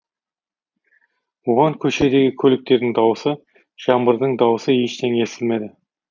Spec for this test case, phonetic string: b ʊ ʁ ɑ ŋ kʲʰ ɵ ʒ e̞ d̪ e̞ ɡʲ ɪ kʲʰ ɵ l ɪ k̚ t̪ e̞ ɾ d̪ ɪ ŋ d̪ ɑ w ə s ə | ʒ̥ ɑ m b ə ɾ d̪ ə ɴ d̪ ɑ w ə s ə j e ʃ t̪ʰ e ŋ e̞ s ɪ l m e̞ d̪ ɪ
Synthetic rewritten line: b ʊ ʁ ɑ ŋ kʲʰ ɵ ʃ e̞ d̪ e̞ ɡʲ ɪ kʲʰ ɵ l ɪ k̚ t̪ e̞ ɾ d̪ ɪ ŋ d̪ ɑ w ə s ə | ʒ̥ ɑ m b ə ɾ d̪ ə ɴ d̪ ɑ w ə s ə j e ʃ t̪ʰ e ŋ e̞ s ɪ l m e̞ d̪ ɪ